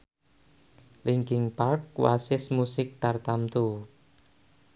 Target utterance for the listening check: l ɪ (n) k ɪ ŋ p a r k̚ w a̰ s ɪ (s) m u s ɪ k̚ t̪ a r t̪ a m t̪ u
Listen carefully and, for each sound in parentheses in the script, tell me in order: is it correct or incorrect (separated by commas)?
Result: incorrect, correct